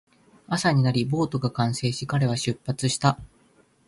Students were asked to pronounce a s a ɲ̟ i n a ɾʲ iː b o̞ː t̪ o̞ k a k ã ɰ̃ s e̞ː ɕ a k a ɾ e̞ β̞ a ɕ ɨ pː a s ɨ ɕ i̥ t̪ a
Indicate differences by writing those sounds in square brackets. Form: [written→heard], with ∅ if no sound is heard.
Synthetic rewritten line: a s a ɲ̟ i n a ɾʲ [iː→i] b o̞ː t̪ o̞ [k→ɡ] a k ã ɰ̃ s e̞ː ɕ [a→i] k a ɾ e̞ β̞ a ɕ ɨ pː a [s→t͡s] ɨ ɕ i̥ t̪ a